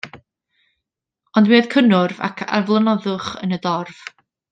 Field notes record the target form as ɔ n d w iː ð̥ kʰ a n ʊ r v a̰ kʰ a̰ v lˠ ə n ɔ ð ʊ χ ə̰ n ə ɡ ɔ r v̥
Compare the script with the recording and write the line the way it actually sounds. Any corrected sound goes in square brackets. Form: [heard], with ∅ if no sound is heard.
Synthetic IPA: ɔ n d w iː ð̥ kʰ [ə] n ʊ r v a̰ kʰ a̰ v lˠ ə n ɔ ð ʊ χ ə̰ n ə [d] ɔ r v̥